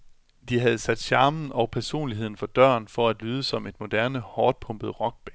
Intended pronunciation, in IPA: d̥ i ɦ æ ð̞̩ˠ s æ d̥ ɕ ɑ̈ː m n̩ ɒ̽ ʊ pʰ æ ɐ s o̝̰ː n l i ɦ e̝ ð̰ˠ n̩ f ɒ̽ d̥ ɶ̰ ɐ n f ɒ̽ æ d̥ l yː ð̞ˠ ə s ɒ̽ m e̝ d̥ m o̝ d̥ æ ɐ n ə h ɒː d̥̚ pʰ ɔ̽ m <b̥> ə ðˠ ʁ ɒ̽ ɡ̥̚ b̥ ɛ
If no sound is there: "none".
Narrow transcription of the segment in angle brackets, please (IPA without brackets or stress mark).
b̥